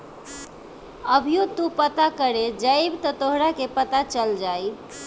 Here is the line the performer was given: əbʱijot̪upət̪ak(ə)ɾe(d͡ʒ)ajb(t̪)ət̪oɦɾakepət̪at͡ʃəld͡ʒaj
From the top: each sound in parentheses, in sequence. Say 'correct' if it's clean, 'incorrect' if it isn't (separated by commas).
correct, correct, correct